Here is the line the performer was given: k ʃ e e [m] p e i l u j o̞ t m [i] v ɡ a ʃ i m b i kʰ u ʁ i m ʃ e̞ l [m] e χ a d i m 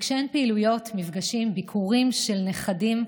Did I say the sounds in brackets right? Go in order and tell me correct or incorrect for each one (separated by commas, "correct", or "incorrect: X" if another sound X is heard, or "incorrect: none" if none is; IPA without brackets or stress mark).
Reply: incorrect: n, correct, incorrect: n